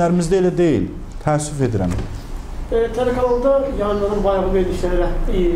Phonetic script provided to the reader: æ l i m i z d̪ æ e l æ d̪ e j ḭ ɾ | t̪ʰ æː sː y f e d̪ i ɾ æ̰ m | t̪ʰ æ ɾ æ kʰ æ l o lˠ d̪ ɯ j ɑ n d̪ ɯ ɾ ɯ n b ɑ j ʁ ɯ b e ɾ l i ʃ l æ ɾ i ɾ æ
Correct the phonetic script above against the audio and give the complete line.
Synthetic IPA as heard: æ ɾ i m i z d̪ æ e l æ d̪ e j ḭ l | t̪ʰ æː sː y f e d̪ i ɾ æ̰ m | t̪ʰ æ ɾ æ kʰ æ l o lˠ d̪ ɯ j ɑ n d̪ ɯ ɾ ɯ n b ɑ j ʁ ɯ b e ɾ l i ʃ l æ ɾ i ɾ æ